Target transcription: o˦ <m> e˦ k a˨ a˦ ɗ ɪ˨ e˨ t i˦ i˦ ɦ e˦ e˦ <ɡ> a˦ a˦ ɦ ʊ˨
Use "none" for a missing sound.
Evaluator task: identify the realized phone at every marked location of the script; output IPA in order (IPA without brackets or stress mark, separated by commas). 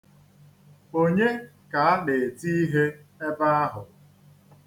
ɲ, b